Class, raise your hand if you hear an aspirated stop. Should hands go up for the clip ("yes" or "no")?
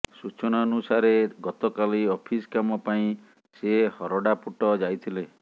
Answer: yes